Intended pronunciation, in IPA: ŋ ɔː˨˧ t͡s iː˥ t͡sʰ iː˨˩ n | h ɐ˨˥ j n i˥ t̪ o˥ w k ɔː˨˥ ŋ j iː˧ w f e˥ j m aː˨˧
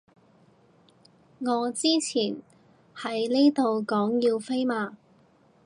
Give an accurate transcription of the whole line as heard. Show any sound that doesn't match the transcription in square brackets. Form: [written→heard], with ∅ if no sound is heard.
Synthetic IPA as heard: ŋ ɔː˨˧ t͡s iː˥ t͡sʰ iː˨˩ n | h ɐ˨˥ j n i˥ t̪ [o˥→o˨] w k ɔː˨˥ ŋ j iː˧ w f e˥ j m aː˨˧